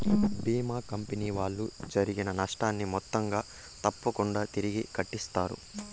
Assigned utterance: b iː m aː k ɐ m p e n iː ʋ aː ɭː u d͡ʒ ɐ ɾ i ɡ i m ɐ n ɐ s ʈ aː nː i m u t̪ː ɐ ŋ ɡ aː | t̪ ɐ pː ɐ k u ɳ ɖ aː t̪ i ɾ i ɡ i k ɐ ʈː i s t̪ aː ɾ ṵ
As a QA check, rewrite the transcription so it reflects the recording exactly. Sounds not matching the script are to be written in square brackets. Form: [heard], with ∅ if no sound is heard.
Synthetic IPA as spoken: b iː m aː k ɐ m p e n iː ʋ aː ɭː u d͡ʒ ɐ ɾ i ɡ i [n] ɐ n ɐ [ʂ] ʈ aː nː i m [ɔ] t̪ː ɐ ŋ ɡ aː | t̪ ɐ pː ɐ k u ɳ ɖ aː t̪ i ɾ i ɡ i k ɐ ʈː i s t̪ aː ɾ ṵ